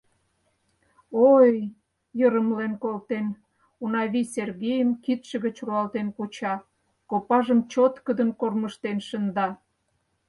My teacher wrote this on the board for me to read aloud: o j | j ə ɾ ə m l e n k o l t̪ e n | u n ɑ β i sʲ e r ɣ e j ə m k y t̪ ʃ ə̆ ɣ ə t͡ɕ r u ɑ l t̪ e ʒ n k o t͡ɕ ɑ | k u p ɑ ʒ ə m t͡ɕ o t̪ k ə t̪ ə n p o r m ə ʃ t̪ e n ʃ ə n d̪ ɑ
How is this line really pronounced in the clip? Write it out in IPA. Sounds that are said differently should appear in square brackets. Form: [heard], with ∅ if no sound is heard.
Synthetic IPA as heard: o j | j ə ɾ ə m l e n k o l t̪ e n | u n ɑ β i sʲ e r ɣ e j ə m k [i] t̪ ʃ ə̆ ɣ ə t͡ɕ r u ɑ l t̪ e [∅] n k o t͡ɕ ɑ | k [o] p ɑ ʒ ə m t͡ɕ o t̪ k ə [d̪] ə n [k] o r m ə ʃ t̪ e n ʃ ə n d̪ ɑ

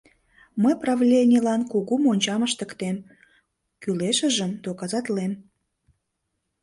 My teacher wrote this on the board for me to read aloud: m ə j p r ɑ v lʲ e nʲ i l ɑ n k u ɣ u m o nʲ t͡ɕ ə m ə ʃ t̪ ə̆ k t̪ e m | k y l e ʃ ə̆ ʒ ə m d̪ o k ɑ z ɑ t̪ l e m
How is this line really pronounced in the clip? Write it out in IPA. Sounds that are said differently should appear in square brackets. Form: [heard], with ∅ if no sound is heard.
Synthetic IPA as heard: m ə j p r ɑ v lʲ e nʲ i l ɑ n k u ɣ u m o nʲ t͡ɕ [ɑ] m ə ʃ t̪ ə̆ k t̪ e m | k y l e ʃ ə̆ ʒ ə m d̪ o k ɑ z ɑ t̪ l e m

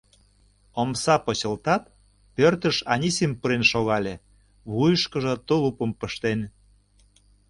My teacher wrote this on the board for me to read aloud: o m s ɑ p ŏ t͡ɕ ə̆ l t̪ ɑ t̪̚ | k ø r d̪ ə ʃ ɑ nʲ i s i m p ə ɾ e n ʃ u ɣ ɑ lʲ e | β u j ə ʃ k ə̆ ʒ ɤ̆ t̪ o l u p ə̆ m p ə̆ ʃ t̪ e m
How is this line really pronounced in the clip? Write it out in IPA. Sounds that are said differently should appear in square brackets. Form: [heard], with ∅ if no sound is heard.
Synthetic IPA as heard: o m s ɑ p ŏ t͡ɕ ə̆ l t̪ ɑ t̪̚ | [p] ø r [t̪] ə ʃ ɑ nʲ i s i m p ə ɾ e n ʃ [o] ɣ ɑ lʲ e | β u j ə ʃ k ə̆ ʒ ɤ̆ t̪ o l u p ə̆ m p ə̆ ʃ t̪ e [n]

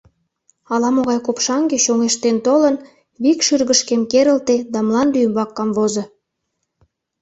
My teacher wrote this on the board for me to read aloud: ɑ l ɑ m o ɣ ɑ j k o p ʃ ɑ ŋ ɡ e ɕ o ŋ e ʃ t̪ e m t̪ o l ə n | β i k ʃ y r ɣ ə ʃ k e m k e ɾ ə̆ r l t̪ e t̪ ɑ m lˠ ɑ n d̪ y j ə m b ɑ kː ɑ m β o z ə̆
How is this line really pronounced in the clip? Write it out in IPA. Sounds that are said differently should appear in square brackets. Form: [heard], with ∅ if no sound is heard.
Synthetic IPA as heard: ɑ l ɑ m o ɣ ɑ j k o p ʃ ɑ ŋ ɡ e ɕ o ŋ e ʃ t̪ e [n] t̪ o l ə n | β i k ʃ y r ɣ ə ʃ k e m k e ɾ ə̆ [∅] l t̪ e [d̪] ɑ m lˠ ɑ n d̪ y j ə m b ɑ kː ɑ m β o z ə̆

